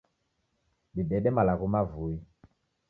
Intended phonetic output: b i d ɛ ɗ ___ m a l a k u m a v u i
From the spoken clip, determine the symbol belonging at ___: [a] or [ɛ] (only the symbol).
ɛ